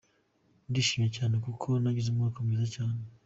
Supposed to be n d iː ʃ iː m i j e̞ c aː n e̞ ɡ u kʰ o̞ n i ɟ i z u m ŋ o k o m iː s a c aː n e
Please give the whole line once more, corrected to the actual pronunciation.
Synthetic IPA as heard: n d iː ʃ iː m i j e̞ c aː n e̞ k u kʰ o̞ n a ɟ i z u m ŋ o k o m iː z a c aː n e